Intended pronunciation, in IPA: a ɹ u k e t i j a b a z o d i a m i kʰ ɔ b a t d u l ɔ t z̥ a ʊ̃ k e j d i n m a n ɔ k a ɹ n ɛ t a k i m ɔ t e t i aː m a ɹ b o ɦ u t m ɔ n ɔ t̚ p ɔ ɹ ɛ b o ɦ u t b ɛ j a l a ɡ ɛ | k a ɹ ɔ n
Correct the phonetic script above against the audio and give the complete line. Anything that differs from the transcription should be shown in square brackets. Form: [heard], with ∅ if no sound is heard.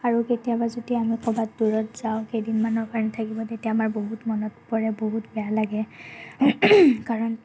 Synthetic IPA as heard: a ɹ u k e t i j a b a z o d i a m i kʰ ɔ b a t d u [ɹ] ɔ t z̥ a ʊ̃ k e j d i n m a n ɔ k a ɹ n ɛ [tʰ] a k i [b] ɔ t e t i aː m a ɹ b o ɦ u t m ɔ n ɔ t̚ p ɔ ɹ ɛ b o ɦ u t b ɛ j a l a ɡ ɛ | k a ɹ ɔ n